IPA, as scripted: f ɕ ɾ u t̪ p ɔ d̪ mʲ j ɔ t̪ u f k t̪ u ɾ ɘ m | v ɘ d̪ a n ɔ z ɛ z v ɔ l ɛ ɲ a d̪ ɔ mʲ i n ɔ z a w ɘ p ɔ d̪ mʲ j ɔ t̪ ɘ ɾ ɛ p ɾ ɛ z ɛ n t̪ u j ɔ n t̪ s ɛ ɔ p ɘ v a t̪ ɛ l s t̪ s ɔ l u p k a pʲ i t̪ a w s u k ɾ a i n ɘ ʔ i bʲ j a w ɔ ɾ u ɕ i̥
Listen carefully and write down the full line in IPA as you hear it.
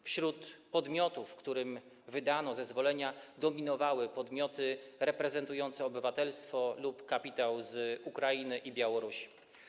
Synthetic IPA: f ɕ ɾ u t̪ p ɔ d̪ mʲ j ɔ t̪ u f k t̪ u ɾ ɘ m | v ɘ d̪ a n ɔ z ɛ z v ɔ l ɛ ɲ a d̪ ɔ mʲ i n ɔ v a w ɘ p ɔ d̪ mʲ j ɔ t̪ ɘ ɾ ɛ p ɾ ɛ z ɛ n t̪ u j ɔ n t̪ s ɛ ɔ b ɘ v a t̪ ɛ l s t̪ f ɔ l u p k a pʲ i t̪ a w z u k ɾ a i n ɘ ʔ i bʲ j a w ɔ ɾ u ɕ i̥